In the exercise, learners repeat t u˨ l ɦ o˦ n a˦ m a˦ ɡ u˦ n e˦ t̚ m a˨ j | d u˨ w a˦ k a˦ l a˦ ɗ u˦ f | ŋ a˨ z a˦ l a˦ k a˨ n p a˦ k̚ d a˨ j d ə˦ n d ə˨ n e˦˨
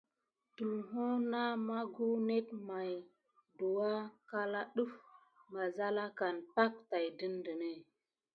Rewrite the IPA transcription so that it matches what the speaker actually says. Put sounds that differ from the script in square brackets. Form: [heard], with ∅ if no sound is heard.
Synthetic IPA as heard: t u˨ l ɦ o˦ n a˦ m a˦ ɡ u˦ n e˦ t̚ m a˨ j | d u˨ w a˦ k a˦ l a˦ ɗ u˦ f | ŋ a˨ z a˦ l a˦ k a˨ n p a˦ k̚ [t] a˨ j d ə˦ n d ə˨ n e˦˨